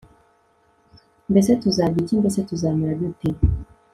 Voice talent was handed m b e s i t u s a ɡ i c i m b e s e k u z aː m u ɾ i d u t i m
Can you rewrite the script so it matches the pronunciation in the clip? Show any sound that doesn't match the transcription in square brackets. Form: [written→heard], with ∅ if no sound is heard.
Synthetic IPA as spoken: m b e s [i→e] t u [s→z] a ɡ i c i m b e s e [k→t] u z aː m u ɾ [i→a] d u t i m